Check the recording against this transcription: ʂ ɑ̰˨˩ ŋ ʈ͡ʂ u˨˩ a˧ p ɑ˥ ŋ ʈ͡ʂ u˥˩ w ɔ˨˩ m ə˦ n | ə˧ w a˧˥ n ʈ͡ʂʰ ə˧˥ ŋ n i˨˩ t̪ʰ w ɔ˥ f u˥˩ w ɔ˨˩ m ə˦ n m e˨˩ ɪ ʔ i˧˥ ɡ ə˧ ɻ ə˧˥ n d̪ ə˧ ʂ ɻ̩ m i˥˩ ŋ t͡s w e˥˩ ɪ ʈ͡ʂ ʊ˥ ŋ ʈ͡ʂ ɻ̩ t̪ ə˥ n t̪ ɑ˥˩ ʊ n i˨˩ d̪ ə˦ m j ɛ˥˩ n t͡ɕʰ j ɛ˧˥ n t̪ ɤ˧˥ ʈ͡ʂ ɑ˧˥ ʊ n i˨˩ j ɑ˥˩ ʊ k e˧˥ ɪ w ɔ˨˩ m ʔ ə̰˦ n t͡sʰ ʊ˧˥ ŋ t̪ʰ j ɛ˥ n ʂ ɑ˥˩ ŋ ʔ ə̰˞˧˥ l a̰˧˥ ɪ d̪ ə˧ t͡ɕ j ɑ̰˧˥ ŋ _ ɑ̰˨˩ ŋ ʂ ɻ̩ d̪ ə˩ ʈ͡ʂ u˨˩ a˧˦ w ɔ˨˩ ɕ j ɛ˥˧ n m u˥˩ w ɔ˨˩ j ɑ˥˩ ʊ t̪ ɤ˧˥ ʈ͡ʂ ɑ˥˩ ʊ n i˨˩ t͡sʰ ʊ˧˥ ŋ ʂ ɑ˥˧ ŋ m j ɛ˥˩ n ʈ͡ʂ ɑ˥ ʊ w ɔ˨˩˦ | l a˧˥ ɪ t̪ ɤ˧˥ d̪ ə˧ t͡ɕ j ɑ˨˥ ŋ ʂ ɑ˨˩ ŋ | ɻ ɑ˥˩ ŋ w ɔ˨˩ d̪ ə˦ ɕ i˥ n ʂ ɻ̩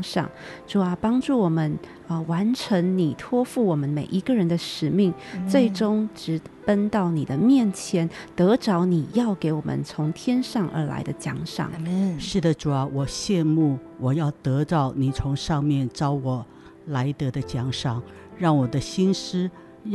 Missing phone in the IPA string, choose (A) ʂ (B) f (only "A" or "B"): A